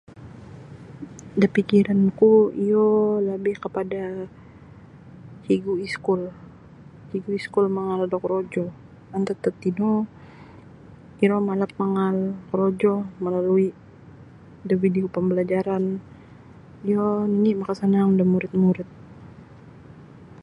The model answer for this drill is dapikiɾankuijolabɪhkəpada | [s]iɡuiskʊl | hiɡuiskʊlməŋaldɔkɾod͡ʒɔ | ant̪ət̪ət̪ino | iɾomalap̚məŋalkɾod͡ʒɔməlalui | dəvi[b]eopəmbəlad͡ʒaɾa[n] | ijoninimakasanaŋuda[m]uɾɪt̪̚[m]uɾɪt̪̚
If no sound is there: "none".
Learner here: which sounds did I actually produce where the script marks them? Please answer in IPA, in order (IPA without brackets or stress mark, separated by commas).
h, d, n, m, m